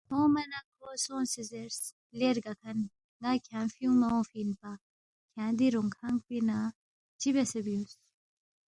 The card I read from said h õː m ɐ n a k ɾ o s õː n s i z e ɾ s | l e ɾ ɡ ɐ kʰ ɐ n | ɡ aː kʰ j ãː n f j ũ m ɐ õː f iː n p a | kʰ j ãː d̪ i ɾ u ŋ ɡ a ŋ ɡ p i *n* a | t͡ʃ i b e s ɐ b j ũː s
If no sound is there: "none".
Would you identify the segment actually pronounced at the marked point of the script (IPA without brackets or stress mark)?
n